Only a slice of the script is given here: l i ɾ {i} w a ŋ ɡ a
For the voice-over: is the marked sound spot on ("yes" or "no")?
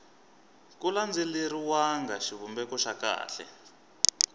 yes